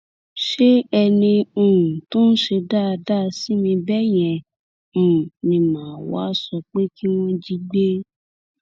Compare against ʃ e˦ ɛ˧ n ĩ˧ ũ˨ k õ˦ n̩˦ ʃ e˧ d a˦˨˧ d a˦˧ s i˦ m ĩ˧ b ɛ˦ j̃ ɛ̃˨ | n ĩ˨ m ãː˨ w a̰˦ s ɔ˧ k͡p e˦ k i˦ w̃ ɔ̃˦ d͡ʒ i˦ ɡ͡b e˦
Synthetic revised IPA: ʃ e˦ ɛ˧ n ĩ˧ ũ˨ t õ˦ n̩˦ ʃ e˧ d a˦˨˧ d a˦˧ s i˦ m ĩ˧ b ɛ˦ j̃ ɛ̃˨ | n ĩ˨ m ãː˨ w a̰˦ s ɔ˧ k͡p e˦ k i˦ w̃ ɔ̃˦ d͡ʒ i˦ ɡ͡b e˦